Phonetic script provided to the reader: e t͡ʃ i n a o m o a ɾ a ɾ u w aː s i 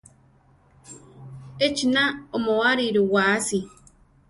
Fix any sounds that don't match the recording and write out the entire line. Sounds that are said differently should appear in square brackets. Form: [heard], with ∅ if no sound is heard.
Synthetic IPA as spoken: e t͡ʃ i n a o m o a ɾ [i] ɾ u w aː s i